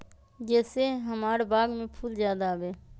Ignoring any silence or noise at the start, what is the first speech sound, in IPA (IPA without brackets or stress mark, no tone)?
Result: d͡ʒ